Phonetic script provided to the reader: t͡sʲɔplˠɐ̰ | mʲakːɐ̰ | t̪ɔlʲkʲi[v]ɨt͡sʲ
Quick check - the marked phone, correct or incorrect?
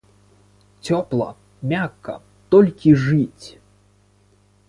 incorrect